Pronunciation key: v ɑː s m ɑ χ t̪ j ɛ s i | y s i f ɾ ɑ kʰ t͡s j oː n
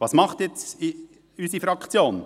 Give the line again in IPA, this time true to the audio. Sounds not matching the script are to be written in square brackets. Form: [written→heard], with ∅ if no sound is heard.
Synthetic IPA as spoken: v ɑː s m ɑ χ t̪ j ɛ [s→t͡s] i | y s i f ɾ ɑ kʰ t͡s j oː n